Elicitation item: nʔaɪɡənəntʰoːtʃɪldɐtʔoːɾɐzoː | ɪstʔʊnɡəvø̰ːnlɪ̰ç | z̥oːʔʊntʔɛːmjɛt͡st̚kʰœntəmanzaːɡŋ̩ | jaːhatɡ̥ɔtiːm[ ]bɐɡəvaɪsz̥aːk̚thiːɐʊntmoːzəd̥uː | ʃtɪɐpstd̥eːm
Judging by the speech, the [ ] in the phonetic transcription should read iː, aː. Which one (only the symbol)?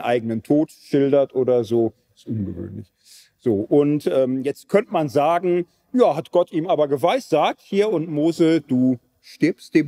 aː